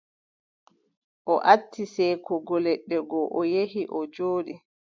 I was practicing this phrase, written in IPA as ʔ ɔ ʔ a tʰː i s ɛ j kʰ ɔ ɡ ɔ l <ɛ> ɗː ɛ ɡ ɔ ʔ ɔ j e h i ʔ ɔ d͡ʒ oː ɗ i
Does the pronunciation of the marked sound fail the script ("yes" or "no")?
no